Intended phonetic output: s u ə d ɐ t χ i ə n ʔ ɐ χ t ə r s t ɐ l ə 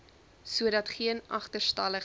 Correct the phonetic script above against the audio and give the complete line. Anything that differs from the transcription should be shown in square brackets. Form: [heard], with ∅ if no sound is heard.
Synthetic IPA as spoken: s u ə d ɐ t χ i ə n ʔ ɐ χ t ə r s t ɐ l ə